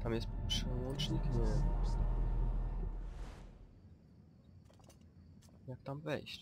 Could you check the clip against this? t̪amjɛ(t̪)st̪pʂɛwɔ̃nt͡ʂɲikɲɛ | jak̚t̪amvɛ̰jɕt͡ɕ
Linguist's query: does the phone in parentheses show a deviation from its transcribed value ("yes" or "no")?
yes